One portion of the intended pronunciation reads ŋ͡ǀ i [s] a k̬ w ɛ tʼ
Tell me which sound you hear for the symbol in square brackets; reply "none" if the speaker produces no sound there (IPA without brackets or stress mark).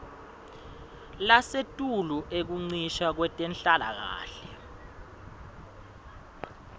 ʃ